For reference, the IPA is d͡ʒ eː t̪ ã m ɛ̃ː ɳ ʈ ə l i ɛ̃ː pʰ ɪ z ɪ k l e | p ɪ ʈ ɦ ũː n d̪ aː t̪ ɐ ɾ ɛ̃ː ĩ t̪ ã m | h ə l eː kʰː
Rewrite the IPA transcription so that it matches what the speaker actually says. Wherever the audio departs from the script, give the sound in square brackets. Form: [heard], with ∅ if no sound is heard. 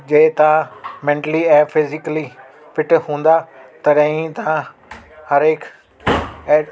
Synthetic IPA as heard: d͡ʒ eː t̪ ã m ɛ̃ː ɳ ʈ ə l i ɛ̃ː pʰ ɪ z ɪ k l [i] | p ɪ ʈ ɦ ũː n d̪ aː t̪ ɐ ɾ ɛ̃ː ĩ t̪ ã [∅] | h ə [ɾ] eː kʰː